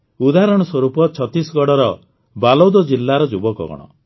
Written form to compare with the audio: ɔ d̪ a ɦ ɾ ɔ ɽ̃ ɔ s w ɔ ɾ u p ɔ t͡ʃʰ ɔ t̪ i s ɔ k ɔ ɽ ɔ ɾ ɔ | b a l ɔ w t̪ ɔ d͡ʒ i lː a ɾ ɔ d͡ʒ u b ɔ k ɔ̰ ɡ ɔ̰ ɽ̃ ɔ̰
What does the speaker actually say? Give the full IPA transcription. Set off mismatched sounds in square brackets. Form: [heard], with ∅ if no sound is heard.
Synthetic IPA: [u] d̪ a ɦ ɾ ɔ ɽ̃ ɔ s w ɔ ɾ u p ɔ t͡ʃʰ ɔ t̪ i s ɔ [ɡ] ɔ ɽ ɔ ɾ ɔ | b a l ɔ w [d̪] ɔ d͡ʒ i lː a ɾ ɔ d͡ʒ u b ɔ k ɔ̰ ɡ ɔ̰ ɽ̃ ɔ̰